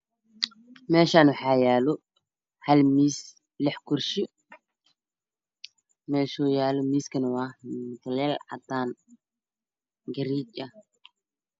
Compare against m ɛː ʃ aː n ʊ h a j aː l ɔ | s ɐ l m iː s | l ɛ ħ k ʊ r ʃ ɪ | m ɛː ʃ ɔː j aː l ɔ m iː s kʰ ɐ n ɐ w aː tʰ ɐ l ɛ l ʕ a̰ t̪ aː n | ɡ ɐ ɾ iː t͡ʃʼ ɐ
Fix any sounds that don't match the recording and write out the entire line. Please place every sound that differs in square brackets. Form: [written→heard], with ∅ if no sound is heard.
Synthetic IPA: m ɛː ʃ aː n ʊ [h→ħ] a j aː l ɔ | [s→h] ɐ l m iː s | l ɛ ħ k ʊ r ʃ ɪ | m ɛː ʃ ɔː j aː l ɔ m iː s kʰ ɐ n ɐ w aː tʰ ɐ l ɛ l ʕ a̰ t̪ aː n | ɡ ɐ ɾ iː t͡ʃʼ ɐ